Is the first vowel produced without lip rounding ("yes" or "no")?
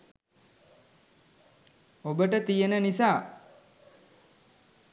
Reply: no